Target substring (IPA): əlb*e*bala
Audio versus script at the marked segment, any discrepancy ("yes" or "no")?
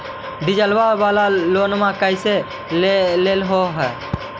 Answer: yes